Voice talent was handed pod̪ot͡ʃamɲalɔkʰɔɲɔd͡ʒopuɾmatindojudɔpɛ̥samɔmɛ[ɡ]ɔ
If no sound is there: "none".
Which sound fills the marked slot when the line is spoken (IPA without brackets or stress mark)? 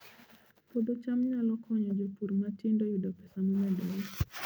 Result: d